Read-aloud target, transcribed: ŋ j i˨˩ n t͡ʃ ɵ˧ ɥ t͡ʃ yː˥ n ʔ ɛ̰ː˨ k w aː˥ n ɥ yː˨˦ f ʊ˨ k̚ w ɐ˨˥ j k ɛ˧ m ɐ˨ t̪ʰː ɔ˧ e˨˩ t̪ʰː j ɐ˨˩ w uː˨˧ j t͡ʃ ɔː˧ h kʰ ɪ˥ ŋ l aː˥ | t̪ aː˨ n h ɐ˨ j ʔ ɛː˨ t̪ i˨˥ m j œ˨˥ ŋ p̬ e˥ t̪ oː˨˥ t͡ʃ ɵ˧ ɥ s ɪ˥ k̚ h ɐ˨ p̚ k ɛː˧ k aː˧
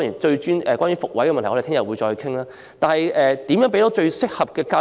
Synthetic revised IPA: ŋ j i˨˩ n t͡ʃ ɵ˧ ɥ t͡ʃ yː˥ n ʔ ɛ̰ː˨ k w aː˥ n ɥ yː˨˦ f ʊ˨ k̚ w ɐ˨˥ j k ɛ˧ m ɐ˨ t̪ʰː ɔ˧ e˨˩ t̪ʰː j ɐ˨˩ w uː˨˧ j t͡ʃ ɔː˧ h kʰ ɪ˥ ŋ l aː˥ | t̪ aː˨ n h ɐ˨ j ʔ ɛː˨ t̪ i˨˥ m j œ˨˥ ŋ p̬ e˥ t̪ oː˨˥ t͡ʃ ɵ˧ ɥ s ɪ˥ k̚ h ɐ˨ p̚ k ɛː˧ k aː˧